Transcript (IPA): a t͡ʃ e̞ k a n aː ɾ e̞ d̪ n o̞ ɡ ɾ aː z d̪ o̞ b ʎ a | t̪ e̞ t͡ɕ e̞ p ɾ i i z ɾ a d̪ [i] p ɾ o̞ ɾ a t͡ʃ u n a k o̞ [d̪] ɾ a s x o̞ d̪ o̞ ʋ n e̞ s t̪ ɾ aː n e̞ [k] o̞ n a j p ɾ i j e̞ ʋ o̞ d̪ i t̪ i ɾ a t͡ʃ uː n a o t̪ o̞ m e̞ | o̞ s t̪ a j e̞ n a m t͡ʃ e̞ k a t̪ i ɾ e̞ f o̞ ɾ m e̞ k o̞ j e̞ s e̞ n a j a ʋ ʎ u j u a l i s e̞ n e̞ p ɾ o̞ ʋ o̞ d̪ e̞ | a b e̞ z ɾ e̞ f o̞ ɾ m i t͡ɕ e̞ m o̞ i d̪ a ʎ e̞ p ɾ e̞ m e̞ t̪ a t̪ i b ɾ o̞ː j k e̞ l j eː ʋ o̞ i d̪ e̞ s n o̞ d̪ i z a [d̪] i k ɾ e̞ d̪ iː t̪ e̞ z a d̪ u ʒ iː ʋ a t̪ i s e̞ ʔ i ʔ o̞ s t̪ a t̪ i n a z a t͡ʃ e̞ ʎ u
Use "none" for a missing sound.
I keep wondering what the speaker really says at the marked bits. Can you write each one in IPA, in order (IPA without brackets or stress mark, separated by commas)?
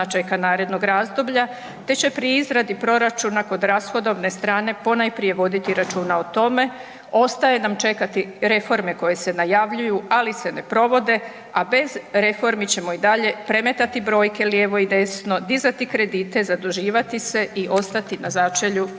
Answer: i, d̪, p, t̪